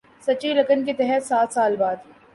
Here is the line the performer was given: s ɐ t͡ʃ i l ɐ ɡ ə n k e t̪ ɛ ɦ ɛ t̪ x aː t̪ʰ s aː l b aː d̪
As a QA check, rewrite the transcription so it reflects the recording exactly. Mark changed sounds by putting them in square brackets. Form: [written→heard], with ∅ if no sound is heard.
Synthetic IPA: s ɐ t͡ʃ i l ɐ [ɡ→k] ə n k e t̪ ɛ ɦ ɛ t̪ [x→s] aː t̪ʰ s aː l b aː d̪

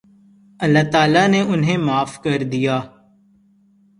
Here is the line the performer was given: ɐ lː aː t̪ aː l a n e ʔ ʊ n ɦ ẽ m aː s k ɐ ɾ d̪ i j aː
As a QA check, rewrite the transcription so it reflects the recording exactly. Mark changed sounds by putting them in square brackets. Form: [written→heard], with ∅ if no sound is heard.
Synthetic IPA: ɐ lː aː t̪ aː l a n e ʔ ʊ n ɦ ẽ m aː [s→f] k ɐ ɾ d̪ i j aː

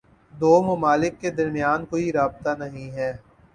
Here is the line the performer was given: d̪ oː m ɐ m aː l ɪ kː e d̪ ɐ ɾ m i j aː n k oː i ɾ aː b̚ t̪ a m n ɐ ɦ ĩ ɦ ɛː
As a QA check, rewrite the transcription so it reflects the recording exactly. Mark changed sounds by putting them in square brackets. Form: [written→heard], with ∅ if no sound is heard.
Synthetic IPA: d̪ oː m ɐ m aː l ɪ kː e d̪ ɐ ɾ m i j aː n k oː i ɾ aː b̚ t̪ a [m→∅] n ɐ ɦ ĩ ɦ ɛː

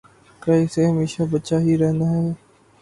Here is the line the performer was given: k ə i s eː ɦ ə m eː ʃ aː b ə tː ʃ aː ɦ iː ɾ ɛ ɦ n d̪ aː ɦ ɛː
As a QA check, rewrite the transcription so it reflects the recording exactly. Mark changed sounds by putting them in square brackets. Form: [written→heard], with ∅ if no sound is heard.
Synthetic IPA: k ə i s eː ɦ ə m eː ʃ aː b ə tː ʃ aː ɦ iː ɾ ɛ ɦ n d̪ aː ɦ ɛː

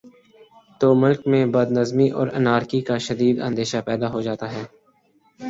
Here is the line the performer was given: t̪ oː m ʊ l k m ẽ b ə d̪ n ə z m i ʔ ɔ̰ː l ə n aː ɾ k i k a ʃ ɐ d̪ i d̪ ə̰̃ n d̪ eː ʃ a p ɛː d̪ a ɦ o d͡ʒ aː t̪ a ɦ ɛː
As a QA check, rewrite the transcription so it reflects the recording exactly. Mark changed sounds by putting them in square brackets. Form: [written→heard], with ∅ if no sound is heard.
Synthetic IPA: t̪ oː m ʊ l k m ẽ b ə d̪ n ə z m i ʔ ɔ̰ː [l→ɾ] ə n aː ɾ k i k a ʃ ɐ d̪ [i→iː] d̪ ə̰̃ n d̪ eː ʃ a p ɛː d̪ a ɦ o d͡ʒ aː t̪ a ɦ ɛː

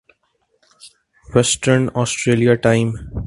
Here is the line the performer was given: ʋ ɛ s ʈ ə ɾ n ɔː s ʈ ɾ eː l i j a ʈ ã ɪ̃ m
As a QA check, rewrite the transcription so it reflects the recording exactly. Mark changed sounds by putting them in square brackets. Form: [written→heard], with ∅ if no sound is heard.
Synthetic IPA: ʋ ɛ s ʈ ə ɾ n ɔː s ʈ ɾ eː l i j a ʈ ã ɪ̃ m

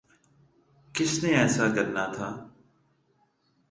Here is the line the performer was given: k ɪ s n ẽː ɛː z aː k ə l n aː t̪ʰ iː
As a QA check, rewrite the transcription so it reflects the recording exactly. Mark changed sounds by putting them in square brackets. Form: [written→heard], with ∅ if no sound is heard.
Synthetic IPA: k ɪ s n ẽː ɛː [z→s] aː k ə [l→ɾ] n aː t̪ʰ [iː→aː]

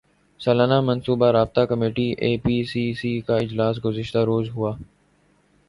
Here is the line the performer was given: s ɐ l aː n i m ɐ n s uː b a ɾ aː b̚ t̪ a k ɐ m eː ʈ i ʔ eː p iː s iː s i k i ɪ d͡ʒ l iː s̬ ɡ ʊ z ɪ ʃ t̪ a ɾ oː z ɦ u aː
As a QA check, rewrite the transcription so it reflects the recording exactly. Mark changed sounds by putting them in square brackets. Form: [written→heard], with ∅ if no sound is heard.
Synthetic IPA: s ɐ l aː n [i→a] m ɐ n s uː b a ɾ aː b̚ t̪ a k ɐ m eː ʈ i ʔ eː p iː s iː s i k [i→a] ɪ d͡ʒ l [iː→aː] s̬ ɡ ʊ z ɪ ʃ t̪ a ɾ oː z ɦ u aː

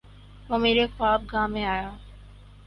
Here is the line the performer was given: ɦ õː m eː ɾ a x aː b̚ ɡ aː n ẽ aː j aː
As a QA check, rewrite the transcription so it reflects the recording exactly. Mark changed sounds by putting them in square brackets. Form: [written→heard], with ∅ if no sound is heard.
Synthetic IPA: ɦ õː m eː ɾ [a→e] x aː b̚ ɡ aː [n→m] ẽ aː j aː

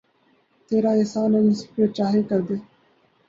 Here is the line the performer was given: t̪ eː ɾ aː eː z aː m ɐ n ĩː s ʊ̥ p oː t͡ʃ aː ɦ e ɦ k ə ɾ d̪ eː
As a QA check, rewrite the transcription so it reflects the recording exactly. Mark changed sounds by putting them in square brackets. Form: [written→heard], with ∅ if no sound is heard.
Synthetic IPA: t̪ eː ɾ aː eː [z→s] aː [m→n] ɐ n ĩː s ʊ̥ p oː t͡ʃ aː ɦ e [ɦ→∅] k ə ɾ d̪ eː

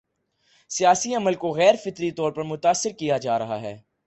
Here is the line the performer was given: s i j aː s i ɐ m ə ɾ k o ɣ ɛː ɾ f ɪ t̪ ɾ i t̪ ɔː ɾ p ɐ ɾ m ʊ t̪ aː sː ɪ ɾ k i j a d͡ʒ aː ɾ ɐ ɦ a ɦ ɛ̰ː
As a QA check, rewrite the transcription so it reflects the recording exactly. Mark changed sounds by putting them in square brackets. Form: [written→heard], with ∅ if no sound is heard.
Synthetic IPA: s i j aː s i ɐ m ə [ɾ→l] k o ɣ ɛː ɾ f ɪ t̪ ɾ i t̪ ɔː ɾ p ɐ ɾ m ʊ t̪ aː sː ɪ ɾ k i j a d͡ʒ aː ɾ ɐ ɦ a ɦ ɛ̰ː

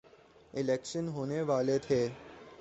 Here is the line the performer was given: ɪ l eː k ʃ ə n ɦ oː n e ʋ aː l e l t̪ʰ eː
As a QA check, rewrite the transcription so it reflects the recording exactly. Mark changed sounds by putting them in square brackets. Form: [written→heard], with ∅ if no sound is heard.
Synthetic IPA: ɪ l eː k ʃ ə n ɦ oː n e ʋ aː l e [l→∅] t̪ʰ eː

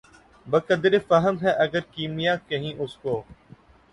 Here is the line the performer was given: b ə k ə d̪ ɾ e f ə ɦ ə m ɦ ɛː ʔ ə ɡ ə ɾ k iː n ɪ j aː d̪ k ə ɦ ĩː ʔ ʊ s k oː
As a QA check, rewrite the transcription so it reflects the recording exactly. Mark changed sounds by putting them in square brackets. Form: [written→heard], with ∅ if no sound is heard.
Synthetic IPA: b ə k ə d̪ ɾ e f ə ɦ ə m ɦ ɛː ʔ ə ɡ ə ɾ k iː [n→m] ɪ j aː [d̪→∅] k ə ɦ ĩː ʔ ʊ s k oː

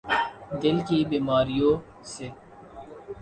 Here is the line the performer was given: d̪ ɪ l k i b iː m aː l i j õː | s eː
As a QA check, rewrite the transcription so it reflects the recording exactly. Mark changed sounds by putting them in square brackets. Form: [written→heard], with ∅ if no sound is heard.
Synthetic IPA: d̪ ɪ l k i b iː m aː [l→ɾ] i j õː | s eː

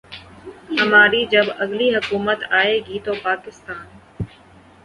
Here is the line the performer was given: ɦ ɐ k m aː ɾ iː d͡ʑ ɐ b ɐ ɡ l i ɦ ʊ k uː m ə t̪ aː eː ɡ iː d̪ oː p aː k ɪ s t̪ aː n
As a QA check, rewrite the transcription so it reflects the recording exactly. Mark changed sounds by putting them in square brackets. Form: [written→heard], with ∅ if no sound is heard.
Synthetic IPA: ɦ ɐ [k→∅] m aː ɾ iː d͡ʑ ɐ b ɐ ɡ l i ɦ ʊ k uː m ə t̪ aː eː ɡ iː [d̪→t̪] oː p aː k ɪ s t̪ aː n

